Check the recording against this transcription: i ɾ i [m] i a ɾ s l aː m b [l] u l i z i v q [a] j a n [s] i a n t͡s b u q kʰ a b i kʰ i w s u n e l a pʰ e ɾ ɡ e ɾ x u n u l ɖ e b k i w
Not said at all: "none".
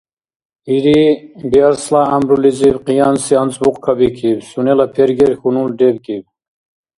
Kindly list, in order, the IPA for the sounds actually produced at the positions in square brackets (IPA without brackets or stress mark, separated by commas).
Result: b, ɾ, i, s